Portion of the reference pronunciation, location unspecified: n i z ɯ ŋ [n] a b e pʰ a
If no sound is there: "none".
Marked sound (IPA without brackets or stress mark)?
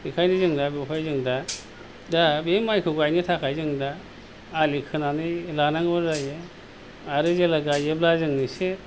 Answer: d